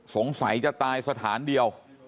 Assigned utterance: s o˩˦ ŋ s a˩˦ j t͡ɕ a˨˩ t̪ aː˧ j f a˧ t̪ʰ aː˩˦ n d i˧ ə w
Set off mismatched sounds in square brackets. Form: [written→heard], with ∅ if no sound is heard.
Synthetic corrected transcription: s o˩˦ ŋ s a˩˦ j t͡ɕ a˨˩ t̪ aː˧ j [f→s] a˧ t̪ʰ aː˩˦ n d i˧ ə w